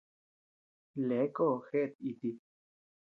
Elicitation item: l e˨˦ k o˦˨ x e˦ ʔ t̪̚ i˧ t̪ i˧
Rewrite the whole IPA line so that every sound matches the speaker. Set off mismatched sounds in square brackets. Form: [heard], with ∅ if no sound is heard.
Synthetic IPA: l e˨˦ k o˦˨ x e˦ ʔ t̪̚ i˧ t̪ i˧